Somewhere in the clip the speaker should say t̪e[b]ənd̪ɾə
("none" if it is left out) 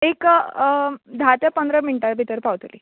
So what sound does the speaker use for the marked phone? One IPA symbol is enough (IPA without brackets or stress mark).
p